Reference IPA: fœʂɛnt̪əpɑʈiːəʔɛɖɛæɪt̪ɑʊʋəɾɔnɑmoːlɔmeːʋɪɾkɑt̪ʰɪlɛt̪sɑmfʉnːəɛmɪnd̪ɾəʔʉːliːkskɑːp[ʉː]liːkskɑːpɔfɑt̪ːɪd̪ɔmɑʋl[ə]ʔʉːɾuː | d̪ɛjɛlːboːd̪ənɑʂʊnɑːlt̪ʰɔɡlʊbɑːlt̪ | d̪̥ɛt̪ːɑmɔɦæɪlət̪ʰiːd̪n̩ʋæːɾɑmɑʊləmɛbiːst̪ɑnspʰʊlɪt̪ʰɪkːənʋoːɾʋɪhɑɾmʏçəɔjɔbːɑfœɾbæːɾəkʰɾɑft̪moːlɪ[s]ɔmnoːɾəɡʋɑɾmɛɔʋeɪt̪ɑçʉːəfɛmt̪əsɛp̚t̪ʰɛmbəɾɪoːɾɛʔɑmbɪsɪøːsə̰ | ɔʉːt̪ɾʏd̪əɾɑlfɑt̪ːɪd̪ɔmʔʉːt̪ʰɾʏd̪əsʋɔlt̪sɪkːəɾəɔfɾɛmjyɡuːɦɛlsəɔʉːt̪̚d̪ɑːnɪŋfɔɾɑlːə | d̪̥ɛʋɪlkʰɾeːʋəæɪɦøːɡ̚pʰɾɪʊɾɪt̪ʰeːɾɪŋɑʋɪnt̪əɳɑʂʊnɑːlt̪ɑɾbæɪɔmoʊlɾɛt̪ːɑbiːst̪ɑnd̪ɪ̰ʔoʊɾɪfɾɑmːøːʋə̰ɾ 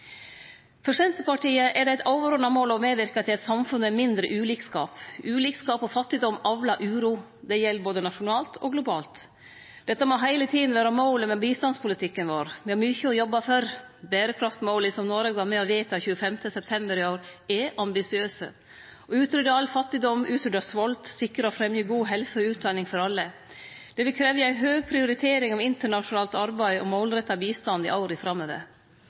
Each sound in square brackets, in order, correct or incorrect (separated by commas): correct, incorrect, correct